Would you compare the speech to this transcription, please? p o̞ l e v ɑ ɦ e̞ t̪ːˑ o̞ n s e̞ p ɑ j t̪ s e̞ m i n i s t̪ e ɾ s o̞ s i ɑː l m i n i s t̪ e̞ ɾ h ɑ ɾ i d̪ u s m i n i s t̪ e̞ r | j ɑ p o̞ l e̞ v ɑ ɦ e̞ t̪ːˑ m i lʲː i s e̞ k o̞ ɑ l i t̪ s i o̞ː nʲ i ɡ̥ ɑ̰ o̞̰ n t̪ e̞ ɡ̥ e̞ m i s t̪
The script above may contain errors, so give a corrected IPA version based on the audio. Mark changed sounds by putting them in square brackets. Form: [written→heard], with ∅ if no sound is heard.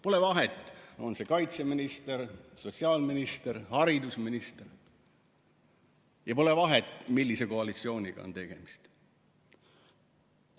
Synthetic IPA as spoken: p o̞ l e v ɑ ɦ e̞ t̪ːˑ o̞ n s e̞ [p→k] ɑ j t̪ s e̞ m i n i s t̪ e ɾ s o̞ s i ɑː l m i n i s t̪ e̞ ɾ h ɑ ɾ i d̪ u s m i n i s t̪ e̞ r | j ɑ p o̞ l e̞ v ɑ ɦ e̞ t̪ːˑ m i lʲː i s e̞ k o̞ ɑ l i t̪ s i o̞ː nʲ i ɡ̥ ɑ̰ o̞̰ n t̪ e̞ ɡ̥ e̞ m i s t̪